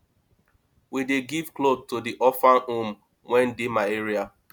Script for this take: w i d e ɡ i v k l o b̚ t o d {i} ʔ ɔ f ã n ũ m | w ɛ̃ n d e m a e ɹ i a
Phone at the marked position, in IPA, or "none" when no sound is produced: i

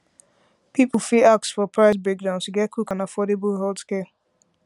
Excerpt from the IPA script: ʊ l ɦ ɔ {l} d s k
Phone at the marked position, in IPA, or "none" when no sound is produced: l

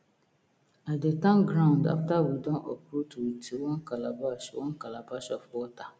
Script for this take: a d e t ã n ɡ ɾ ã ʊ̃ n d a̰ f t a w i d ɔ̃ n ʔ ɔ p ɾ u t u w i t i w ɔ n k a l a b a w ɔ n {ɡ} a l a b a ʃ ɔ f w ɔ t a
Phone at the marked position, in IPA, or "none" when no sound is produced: k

